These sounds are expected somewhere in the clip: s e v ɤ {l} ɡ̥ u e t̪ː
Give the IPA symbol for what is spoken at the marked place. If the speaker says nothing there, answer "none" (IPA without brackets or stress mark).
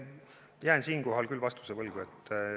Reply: l